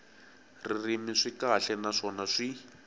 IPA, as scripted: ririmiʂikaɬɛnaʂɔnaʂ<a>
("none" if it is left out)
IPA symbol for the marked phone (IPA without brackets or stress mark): i